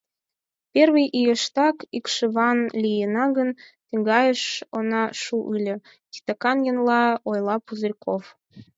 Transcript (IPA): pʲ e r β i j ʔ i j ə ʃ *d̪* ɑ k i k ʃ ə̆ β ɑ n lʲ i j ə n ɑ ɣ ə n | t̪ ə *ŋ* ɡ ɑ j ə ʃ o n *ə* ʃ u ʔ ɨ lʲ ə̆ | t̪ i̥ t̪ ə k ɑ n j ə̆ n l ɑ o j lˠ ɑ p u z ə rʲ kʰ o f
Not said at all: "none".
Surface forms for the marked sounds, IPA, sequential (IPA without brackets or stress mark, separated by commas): t̪, ŋ, ɑ